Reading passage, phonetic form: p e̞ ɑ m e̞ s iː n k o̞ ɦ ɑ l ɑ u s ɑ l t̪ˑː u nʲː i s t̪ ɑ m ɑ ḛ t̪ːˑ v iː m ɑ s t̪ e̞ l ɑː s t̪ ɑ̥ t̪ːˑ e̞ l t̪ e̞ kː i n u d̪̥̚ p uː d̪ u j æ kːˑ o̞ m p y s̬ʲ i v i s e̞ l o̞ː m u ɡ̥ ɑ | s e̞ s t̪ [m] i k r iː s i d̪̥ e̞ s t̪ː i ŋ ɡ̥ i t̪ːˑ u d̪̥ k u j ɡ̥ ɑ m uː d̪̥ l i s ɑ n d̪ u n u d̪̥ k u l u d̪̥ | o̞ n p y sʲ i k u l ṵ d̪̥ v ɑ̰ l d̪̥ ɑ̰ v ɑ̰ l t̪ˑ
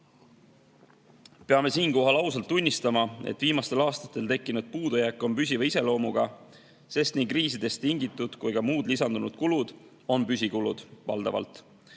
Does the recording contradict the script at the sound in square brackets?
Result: yes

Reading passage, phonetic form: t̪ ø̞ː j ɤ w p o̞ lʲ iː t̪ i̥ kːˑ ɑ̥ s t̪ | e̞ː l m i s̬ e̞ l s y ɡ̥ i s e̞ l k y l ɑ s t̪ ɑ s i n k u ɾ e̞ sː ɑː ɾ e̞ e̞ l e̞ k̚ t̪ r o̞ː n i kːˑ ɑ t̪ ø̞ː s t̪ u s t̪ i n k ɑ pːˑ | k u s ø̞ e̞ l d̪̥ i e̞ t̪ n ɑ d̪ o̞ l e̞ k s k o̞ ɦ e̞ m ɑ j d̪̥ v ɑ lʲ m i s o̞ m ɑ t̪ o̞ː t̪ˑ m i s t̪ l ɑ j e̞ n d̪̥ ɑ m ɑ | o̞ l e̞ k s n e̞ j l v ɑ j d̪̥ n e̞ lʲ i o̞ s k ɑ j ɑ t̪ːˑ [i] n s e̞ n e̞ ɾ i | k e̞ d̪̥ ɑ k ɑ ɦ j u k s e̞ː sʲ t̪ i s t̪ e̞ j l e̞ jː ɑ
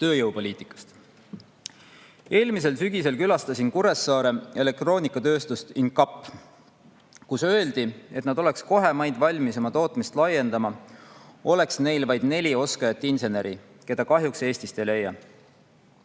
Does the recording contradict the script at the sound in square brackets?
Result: no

